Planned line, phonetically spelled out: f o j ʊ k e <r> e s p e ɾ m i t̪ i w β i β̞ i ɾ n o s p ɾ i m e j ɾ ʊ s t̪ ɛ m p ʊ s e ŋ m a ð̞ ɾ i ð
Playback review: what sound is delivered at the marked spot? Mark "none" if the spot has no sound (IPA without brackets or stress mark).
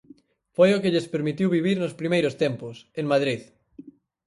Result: ʎ